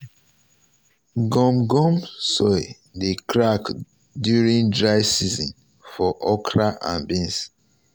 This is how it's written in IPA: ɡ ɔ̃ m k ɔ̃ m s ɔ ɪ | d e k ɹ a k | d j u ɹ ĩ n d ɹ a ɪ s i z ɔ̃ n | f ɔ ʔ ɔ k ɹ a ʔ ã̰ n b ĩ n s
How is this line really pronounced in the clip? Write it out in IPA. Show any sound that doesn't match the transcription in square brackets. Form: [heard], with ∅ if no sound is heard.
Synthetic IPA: ɡ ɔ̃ m [ɡ] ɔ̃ m s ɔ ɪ | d e k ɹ a k | d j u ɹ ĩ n d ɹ a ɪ s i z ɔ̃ n | f ɔ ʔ ɔ k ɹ a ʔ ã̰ n b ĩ n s